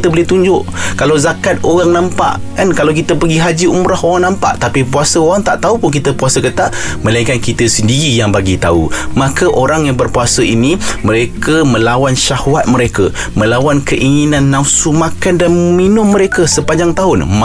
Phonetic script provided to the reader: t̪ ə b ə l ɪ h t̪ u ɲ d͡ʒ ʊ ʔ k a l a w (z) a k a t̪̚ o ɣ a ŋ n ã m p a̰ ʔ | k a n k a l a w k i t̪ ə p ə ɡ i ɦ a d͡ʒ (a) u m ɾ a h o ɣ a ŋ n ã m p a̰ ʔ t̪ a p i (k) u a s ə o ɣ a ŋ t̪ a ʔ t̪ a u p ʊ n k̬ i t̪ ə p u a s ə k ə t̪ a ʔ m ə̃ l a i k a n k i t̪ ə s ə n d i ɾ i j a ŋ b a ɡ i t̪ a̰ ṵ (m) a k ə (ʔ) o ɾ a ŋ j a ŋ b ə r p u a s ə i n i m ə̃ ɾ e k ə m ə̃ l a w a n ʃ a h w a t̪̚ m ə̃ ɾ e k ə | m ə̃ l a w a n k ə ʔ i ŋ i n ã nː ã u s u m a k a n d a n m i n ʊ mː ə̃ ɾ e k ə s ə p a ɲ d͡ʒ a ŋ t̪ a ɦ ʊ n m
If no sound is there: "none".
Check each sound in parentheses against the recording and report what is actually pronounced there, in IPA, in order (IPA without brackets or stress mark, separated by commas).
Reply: z, i, p, m, ʔ